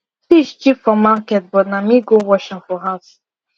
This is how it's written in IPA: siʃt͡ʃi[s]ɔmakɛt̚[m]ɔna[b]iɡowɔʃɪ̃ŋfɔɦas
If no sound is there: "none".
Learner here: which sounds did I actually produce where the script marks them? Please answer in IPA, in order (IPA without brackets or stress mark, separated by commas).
f, b, m